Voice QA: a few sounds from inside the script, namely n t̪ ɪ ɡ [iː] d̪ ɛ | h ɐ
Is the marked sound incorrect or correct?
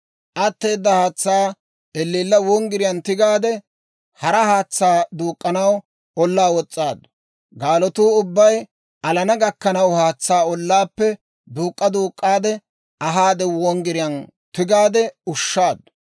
incorrect: aː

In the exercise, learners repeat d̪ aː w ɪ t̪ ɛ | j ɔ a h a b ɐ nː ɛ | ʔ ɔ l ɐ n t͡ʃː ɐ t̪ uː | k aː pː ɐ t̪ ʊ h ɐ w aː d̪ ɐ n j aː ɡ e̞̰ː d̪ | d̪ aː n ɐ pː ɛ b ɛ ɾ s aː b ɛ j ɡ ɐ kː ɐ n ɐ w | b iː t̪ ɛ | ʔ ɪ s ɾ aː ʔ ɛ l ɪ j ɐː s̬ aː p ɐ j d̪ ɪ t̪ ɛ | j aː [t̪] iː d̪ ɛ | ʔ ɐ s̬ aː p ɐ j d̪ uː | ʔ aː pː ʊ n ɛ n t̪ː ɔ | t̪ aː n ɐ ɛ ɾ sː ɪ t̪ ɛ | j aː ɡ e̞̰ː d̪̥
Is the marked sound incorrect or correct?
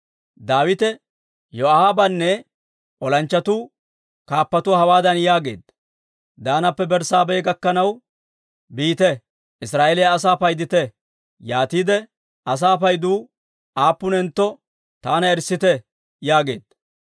correct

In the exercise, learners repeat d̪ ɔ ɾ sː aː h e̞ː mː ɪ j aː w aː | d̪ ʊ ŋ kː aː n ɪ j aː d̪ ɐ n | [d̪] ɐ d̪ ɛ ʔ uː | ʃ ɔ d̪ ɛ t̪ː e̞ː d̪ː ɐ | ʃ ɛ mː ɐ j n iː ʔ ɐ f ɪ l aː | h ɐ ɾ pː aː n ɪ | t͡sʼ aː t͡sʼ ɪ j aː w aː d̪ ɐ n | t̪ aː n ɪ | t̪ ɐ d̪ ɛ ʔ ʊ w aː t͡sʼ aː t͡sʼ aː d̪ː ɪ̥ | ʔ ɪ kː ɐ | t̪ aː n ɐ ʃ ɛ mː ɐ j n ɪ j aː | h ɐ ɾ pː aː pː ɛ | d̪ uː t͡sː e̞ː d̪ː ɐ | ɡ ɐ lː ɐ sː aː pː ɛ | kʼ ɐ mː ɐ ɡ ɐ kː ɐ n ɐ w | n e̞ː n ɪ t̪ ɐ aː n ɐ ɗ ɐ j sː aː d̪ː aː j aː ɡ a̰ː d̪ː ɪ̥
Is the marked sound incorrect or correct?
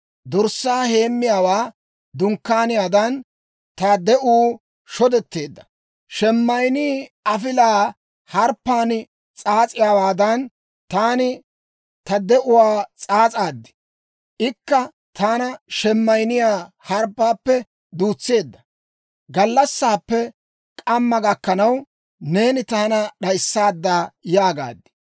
incorrect: t̪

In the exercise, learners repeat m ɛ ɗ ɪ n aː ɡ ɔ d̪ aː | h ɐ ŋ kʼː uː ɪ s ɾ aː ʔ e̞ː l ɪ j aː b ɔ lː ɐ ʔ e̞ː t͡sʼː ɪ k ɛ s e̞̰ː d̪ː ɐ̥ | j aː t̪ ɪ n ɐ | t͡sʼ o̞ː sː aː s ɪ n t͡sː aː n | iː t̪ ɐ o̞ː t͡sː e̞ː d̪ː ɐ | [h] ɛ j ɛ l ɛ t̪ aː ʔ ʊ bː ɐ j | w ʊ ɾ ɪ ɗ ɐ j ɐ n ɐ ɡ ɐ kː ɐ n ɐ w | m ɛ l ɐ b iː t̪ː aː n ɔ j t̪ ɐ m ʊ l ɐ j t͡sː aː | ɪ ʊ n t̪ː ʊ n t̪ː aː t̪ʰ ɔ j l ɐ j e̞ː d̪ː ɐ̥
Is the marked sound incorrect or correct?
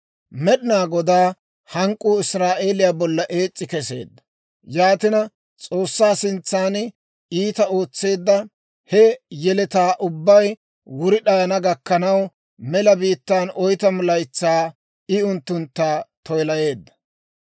correct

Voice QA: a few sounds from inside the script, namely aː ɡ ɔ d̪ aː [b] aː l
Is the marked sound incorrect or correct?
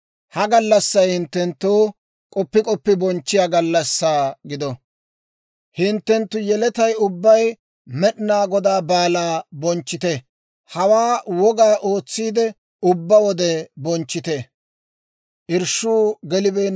correct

